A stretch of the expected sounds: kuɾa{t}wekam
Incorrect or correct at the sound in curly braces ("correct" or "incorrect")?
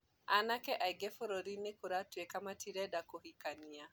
correct